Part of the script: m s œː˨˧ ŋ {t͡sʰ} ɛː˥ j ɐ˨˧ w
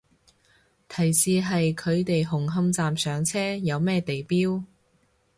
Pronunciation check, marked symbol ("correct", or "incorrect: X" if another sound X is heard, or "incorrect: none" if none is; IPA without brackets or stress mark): correct